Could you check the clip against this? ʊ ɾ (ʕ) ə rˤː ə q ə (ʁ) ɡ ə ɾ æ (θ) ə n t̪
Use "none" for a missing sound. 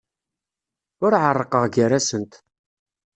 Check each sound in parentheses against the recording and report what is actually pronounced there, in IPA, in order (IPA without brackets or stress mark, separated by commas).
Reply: ʕ, ʁ, s